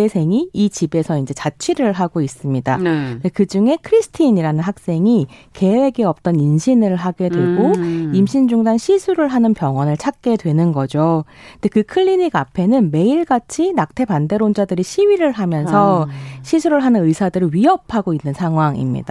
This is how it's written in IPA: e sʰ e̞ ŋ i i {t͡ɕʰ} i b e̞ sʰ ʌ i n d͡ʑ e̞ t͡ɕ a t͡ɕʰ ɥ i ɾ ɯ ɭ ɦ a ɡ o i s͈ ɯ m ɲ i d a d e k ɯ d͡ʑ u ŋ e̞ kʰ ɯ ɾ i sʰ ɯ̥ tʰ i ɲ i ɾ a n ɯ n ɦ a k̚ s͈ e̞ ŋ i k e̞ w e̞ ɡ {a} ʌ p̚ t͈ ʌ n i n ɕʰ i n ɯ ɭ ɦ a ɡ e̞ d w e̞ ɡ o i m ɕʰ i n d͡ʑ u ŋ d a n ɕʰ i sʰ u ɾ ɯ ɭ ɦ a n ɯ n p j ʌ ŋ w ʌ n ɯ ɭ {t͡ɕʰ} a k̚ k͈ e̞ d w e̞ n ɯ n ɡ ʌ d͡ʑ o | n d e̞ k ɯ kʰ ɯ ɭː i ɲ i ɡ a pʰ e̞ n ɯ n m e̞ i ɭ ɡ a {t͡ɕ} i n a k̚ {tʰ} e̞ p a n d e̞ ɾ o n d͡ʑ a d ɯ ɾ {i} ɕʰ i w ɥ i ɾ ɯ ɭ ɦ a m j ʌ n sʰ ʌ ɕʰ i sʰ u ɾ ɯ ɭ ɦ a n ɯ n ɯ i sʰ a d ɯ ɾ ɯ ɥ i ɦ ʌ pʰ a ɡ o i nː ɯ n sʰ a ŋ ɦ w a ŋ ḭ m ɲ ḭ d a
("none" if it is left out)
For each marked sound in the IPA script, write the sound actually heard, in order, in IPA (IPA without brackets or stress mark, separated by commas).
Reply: t͡ɕ, e, t͡ɕʰ, t͡ɕʰ, tʰ, i